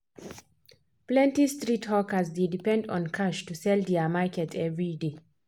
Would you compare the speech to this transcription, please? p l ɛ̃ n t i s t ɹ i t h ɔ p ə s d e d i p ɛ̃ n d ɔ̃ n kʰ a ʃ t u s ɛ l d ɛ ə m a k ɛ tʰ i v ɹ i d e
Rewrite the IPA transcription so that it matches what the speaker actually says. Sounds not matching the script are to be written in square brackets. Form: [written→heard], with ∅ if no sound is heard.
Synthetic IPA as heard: p l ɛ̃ n t i s t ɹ i t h ɔ [p→k] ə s d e d i p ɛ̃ n d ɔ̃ n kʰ a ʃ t u s ɛ l d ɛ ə m a k ɛ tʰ [i→ɛ] v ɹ i d e